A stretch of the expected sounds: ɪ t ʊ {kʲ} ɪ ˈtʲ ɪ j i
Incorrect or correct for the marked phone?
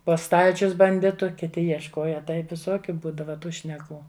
correct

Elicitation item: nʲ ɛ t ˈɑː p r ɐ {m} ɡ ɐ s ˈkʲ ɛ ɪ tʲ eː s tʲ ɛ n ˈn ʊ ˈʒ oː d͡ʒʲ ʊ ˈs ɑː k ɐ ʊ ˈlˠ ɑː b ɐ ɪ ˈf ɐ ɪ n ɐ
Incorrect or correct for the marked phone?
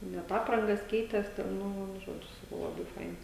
incorrect: ŋ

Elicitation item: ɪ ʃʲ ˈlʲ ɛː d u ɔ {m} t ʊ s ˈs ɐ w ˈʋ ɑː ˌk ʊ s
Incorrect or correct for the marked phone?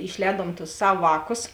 correct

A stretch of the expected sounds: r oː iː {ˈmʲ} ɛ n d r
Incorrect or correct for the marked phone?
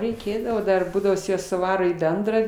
incorrect: bʲ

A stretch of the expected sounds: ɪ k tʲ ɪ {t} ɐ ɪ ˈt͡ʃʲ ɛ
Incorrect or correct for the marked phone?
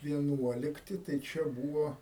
correct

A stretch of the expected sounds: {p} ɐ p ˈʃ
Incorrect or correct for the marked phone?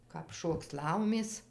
incorrect: k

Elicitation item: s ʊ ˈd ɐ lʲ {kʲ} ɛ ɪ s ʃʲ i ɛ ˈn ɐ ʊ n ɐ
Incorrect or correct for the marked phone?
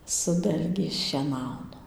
incorrect: ɡʲ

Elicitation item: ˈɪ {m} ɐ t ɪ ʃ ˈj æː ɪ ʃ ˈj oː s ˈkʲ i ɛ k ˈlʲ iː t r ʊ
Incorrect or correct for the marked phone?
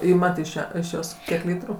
correct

